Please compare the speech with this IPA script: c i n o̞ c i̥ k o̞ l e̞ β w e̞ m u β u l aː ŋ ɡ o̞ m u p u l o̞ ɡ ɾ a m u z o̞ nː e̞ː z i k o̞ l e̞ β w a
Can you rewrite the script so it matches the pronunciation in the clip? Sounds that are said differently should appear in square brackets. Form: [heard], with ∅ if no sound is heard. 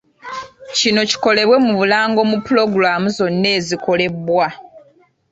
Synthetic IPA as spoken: c i n o̞ c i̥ k o̞ l e̞ β w e̞ m u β u l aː ŋ ɡ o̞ m u p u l o̞ ɡ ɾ a m u z o̞ nː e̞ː z i k o̞ l e̞ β w a